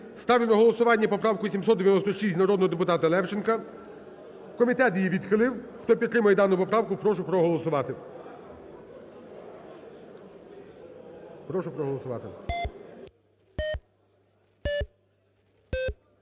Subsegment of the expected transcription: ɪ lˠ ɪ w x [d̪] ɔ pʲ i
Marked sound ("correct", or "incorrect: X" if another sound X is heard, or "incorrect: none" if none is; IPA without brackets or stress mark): incorrect: t̪